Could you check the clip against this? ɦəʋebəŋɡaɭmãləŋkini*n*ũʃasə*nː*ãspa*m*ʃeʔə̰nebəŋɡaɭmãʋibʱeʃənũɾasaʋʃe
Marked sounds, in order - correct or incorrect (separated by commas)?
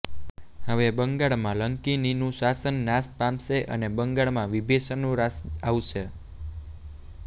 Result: correct, correct, correct